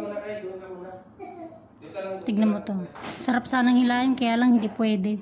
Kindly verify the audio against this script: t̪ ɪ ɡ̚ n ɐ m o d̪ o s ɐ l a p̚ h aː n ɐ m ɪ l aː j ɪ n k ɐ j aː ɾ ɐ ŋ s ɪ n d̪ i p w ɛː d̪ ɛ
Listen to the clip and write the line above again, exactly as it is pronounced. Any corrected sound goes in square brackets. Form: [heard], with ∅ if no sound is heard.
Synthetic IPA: t̪ ɪ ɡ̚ n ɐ m o [t̪] o s ɐ [ɾ] a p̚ [s] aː n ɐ [ŋ] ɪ l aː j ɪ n k ɐ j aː [l] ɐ ŋ [h] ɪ n d̪ i p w ɛː d̪ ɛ